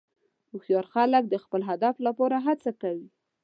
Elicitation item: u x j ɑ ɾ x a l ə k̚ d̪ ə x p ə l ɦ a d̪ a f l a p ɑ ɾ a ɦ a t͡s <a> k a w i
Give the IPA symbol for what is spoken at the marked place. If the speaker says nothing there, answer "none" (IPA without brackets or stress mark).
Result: a